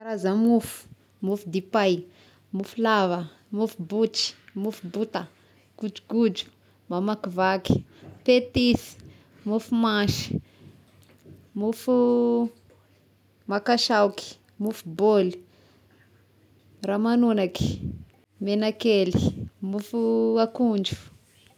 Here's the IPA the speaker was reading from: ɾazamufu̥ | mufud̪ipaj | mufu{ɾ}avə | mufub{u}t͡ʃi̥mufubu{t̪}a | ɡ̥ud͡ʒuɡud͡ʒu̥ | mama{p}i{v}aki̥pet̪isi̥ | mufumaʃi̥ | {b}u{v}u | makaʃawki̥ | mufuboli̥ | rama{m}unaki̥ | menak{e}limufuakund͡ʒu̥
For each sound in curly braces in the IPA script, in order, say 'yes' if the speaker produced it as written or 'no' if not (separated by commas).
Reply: no, yes, yes, no, yes, no, no, no, yes